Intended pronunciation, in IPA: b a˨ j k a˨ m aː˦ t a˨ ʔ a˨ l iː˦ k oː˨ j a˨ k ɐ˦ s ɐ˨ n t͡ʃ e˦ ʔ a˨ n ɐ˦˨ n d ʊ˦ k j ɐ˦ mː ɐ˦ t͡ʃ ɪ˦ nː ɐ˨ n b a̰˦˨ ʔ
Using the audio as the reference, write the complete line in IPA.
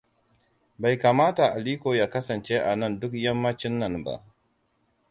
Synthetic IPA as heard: b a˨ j k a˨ m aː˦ t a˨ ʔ a˨ l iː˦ k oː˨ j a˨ k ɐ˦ s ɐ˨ n t͡ʃ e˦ ʔ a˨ n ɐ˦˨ n d ʊ˦ k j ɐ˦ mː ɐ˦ t͡ʃ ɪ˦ nː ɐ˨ n b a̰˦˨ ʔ